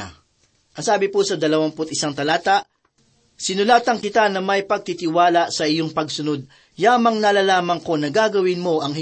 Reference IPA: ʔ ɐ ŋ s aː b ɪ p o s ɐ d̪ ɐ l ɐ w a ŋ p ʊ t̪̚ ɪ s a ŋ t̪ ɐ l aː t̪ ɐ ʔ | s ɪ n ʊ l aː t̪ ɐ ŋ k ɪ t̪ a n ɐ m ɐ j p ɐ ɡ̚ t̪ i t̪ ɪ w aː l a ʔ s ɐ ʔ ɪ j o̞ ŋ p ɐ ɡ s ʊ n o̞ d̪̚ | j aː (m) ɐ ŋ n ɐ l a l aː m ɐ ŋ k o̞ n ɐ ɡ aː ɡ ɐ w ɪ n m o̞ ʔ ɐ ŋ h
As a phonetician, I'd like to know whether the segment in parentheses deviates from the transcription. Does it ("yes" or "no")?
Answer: no